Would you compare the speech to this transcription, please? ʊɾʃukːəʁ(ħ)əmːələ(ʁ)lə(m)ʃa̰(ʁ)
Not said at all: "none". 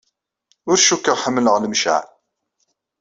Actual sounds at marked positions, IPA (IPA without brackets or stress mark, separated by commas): ħ, ʁ, m, ʕ